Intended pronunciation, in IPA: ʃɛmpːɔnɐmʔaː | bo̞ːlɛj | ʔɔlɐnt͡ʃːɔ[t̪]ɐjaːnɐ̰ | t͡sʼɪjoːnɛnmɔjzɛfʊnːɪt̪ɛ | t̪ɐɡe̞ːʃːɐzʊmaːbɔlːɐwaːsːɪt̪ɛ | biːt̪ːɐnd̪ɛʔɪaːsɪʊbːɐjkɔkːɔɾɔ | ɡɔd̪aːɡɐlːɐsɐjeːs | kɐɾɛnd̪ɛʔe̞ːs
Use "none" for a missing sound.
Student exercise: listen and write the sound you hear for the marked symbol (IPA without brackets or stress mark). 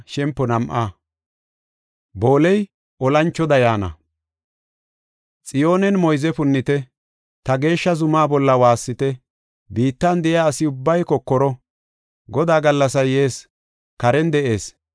d̪